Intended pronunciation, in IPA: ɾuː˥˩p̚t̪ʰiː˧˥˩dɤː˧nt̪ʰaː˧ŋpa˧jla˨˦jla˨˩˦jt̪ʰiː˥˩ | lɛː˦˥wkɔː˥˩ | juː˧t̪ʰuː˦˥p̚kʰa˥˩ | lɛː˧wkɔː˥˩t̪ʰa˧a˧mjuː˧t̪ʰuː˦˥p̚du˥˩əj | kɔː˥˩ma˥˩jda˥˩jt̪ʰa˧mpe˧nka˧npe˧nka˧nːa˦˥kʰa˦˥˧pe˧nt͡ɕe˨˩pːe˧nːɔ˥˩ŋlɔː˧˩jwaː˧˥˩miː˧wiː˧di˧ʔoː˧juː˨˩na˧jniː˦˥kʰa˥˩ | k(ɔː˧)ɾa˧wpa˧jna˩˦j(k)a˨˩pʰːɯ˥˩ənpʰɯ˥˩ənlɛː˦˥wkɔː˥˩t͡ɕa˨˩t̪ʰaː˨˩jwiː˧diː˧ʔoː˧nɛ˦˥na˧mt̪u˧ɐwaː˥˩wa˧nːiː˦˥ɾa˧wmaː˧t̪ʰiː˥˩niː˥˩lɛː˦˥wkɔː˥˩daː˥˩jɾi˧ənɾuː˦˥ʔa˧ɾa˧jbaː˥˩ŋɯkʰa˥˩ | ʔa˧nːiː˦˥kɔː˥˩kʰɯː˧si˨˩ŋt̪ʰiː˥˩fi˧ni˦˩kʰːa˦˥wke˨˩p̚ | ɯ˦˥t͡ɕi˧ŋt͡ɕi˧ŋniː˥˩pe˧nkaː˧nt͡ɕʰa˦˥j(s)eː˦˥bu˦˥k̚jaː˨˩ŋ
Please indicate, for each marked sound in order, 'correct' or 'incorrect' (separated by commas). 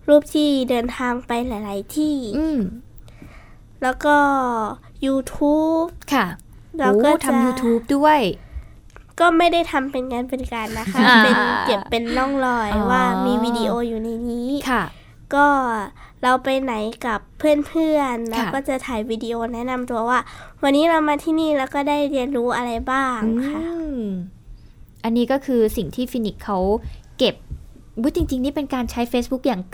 incorrect, correct, incorrect